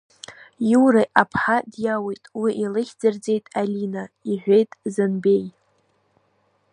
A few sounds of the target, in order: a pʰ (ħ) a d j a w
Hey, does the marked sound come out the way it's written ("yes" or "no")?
yes